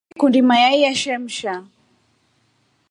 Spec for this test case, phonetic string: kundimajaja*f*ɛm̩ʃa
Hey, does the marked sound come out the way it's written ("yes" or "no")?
no